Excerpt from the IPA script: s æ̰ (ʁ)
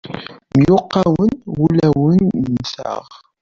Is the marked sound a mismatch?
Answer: no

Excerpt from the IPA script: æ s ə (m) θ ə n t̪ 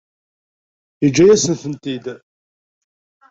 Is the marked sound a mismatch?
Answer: yes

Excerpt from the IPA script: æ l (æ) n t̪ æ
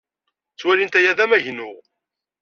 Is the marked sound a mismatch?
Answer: yes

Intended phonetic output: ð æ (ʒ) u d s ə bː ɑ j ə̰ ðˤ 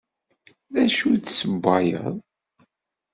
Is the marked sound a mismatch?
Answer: yes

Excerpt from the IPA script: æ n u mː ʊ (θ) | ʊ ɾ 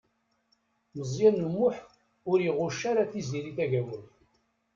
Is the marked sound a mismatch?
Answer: yes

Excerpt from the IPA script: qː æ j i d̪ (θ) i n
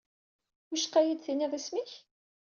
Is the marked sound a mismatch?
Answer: no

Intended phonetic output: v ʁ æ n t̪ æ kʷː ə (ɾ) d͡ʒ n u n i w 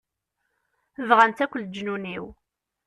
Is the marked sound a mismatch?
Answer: yes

